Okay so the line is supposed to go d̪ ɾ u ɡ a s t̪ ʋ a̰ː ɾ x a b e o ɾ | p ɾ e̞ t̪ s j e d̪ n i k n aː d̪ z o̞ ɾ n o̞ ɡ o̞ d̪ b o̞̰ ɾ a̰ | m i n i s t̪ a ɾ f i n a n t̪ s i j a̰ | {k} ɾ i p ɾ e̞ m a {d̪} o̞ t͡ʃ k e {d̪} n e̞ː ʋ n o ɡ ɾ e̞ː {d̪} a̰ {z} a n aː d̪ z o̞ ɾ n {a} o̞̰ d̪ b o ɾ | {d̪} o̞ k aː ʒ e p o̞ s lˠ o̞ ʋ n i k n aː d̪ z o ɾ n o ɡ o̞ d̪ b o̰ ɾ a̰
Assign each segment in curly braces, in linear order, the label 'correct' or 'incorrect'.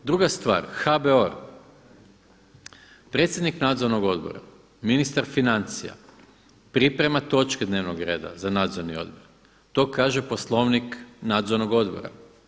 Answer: incorrect: p, incorrect: t̪, correct, correct, correct, incorrect: i, incorrect: t̪

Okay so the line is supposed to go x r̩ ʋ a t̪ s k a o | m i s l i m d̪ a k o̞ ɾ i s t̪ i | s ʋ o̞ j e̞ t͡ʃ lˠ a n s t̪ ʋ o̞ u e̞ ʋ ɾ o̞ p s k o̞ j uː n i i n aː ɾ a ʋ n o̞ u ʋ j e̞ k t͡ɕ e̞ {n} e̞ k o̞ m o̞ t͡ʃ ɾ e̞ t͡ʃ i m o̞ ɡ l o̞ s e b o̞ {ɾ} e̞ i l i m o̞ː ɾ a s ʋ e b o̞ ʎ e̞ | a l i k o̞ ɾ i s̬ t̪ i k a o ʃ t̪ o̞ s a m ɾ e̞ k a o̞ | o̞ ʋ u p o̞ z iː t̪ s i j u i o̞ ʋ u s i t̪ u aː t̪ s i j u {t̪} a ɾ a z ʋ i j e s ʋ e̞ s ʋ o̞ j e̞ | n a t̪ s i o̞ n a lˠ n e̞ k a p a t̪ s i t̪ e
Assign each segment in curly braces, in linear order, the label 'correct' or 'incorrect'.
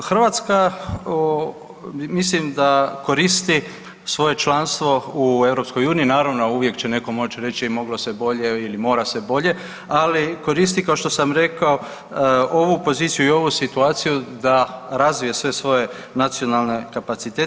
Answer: correct, incorrect: ʎ, incorrect: d̪

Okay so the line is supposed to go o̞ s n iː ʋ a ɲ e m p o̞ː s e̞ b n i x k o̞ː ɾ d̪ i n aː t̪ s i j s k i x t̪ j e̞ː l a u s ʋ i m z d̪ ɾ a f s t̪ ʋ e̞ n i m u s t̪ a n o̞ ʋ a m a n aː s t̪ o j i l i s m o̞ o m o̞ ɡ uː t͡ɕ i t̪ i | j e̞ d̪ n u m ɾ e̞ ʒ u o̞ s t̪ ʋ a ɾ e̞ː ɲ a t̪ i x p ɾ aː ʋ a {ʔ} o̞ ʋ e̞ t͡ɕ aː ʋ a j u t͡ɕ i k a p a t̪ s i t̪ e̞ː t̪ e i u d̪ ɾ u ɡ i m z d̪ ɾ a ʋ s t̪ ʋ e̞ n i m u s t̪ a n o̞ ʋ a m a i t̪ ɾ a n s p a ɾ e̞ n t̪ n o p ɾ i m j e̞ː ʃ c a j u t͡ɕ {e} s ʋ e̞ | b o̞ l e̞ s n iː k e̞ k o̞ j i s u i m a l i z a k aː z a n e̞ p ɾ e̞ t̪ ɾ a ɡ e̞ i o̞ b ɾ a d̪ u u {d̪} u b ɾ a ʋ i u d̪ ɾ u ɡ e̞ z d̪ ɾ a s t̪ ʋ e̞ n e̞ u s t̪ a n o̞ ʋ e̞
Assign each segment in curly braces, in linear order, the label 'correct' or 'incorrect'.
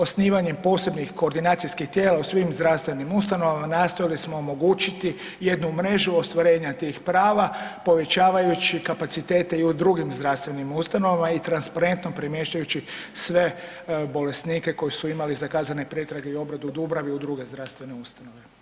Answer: incorrect: p, incorrect: i, correct

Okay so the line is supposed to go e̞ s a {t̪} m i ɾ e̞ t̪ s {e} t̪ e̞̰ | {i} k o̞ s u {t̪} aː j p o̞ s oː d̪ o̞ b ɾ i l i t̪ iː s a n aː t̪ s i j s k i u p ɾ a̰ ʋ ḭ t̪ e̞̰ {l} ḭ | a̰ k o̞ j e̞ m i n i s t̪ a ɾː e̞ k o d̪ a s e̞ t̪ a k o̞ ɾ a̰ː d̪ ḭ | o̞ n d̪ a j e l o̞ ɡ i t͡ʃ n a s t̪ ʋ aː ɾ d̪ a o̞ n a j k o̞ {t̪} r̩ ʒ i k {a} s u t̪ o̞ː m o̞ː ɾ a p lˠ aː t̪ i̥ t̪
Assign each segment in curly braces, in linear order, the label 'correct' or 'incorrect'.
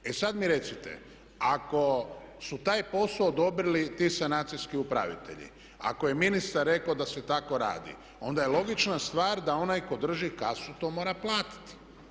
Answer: incorrect: d̪, incorrect: i, incorrect: a, correct, incorrect: ʎ, incorrect: d̪, correct

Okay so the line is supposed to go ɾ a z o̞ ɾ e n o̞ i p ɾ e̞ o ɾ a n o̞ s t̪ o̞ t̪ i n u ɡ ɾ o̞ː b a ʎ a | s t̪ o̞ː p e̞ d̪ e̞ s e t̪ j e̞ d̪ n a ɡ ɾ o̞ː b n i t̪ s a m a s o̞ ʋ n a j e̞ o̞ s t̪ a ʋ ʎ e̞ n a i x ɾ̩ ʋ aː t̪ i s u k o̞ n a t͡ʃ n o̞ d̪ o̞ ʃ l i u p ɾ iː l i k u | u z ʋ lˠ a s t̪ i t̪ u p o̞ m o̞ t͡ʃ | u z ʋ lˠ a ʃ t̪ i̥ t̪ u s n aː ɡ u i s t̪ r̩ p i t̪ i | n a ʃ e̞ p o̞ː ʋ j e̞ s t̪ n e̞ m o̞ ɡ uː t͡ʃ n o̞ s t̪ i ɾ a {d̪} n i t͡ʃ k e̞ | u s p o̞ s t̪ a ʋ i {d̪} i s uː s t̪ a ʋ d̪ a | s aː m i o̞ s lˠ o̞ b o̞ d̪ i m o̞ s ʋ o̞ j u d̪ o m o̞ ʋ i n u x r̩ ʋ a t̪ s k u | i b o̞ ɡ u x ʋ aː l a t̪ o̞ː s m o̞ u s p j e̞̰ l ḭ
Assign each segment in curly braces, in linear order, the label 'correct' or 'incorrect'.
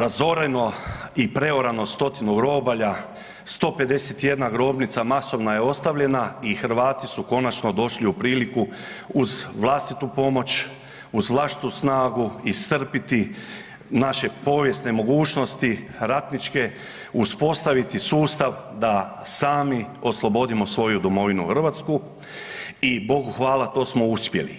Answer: incorrect: t̪, incorrect: t̪

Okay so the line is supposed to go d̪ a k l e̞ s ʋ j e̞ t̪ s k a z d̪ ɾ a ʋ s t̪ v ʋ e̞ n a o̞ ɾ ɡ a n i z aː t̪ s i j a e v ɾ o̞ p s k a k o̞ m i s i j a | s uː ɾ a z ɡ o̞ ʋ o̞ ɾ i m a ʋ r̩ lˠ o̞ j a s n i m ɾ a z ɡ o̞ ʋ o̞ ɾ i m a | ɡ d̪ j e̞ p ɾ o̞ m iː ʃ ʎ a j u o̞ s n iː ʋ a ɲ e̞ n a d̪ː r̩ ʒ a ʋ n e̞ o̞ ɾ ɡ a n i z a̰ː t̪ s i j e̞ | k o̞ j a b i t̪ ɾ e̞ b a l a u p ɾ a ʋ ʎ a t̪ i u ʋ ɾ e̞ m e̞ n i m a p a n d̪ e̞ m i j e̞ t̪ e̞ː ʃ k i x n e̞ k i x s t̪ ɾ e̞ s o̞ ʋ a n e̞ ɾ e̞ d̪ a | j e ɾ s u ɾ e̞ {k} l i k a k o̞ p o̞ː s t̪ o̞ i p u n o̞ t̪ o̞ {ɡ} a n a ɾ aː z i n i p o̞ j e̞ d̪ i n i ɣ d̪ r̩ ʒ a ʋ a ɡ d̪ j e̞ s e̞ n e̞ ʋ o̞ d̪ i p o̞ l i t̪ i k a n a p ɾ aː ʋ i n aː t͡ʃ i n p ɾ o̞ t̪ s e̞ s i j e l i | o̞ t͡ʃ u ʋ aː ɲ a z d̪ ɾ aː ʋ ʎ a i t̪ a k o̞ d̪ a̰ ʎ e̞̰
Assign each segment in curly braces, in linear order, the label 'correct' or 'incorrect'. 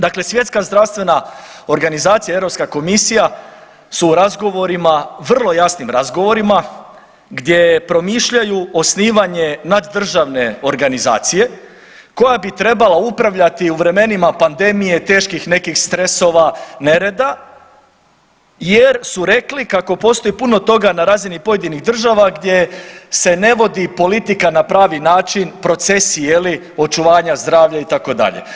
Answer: correct, correct

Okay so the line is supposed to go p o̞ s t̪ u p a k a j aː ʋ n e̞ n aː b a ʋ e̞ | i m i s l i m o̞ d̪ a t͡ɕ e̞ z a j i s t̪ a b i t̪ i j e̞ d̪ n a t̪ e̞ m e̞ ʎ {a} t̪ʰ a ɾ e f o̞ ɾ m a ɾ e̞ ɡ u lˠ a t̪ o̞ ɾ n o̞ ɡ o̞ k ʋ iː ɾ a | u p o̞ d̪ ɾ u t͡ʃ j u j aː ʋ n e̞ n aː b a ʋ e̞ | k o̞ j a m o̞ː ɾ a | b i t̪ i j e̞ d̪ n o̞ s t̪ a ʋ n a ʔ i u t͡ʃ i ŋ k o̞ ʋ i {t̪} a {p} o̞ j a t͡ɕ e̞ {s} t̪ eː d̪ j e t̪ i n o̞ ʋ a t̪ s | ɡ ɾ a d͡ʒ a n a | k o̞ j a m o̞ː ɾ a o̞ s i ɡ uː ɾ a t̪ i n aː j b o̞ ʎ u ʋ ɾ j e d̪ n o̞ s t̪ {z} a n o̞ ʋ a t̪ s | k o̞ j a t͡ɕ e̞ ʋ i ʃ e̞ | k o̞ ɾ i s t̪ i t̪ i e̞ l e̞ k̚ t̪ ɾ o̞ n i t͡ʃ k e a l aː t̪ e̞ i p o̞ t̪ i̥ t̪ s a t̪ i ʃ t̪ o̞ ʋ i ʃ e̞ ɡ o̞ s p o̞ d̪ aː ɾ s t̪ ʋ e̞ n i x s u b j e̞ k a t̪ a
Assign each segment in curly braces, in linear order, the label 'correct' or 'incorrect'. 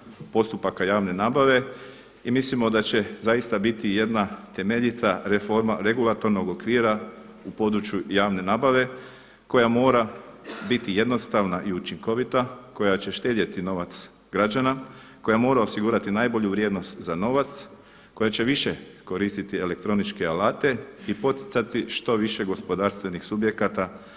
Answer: incorrect: i, correct, incorrect: k, incorrect: ʃ, correct

